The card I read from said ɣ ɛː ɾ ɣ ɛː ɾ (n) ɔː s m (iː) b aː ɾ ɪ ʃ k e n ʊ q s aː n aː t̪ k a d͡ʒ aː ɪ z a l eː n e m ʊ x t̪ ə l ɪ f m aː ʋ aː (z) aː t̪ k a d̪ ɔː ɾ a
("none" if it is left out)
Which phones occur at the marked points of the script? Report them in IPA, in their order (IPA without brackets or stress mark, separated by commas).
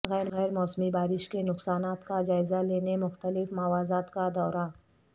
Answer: m, i, z